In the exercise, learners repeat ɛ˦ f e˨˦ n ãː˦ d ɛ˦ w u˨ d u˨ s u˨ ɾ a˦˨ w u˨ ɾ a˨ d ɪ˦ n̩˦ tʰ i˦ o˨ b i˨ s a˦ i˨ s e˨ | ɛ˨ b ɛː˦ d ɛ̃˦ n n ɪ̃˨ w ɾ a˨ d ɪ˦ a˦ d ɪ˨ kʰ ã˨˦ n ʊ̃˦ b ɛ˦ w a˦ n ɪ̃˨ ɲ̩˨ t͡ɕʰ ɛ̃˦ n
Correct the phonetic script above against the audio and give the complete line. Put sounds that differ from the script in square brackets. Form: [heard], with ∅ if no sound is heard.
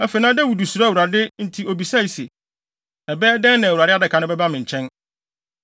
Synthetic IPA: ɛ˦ f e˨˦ n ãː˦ d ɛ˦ w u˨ d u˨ s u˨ ɾ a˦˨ w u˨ ɾ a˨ d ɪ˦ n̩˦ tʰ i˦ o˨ b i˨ s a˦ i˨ s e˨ | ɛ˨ b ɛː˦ d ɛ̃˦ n n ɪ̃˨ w ɾ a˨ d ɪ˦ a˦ d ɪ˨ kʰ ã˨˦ n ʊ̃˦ b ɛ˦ [b] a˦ [m] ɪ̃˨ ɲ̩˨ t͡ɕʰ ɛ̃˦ n